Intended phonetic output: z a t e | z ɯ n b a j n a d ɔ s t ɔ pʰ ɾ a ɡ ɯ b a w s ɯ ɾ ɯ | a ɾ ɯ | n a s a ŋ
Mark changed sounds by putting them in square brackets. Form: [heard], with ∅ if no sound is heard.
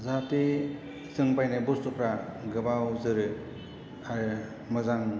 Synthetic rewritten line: z a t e | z ɯ [ŋ] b a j n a [b] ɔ s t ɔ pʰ ɾ a ɡ ɯ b a w [z] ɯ ɾ ɯ | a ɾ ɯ | [m] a [z] a ŋ